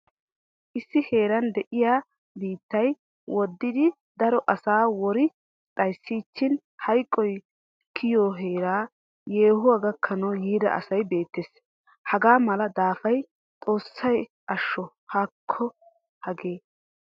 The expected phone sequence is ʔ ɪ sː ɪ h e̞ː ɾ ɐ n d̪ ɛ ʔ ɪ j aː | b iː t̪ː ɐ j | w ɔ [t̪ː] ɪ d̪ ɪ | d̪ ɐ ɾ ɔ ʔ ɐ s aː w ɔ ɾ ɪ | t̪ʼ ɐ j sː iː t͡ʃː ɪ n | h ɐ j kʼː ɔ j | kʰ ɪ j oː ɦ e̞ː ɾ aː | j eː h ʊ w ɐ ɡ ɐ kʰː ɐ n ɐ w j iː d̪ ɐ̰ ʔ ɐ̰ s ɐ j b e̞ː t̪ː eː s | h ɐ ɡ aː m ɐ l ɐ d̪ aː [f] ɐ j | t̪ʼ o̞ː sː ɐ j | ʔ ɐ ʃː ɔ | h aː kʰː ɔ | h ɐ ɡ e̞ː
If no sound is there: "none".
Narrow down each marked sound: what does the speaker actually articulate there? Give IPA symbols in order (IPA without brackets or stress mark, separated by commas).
d̪ː, f